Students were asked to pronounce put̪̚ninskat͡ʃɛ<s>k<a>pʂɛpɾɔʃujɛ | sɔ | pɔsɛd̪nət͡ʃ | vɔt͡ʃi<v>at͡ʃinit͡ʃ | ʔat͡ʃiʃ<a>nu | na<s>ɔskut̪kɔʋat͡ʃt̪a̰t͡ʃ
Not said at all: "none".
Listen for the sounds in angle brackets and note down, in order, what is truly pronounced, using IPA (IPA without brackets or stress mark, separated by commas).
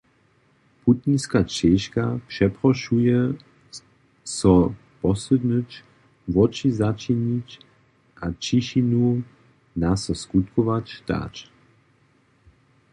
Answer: ʃ, a, z, i, s